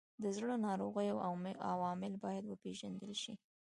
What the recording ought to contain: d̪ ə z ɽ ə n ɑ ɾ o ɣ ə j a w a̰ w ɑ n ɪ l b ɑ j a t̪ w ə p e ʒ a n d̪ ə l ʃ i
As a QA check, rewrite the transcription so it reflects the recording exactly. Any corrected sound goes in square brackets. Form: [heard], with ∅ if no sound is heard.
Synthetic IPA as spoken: d̪ ə z ɽ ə n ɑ ɾ o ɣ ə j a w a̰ w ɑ [m] ɪ l b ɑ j a [d̪] w ə p e ʒ a n d̪ ə l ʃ i